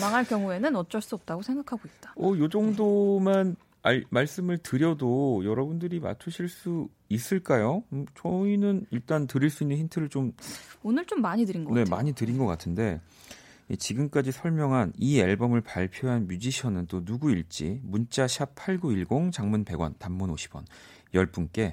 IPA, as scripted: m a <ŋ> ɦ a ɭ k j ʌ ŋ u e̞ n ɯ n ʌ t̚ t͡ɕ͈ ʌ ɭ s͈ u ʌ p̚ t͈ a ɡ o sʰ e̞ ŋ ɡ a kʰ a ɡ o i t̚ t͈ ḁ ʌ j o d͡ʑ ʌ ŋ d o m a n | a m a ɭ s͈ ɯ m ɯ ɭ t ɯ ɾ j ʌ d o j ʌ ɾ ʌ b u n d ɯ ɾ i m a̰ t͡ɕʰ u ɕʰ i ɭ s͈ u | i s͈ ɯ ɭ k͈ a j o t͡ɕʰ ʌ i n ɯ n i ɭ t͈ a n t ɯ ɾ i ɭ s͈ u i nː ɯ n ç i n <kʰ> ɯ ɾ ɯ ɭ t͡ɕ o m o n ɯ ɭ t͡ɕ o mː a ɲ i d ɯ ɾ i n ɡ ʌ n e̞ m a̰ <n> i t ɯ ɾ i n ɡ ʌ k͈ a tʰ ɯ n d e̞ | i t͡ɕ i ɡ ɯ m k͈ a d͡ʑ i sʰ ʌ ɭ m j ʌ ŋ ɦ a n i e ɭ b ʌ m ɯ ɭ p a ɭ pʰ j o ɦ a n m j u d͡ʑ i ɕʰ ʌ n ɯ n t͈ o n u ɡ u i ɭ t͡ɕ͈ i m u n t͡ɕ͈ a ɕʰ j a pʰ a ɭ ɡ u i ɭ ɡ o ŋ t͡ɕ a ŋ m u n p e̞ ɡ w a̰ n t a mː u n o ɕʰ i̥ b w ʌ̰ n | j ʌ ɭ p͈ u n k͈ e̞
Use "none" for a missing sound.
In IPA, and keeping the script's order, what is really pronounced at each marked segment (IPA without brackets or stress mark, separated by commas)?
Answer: ŋ, tʰ, ɲ